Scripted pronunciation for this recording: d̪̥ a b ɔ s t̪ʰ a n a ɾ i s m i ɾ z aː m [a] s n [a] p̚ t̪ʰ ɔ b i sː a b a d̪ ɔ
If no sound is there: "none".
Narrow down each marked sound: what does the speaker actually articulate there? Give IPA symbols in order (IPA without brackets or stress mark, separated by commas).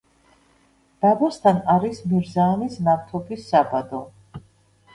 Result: i, a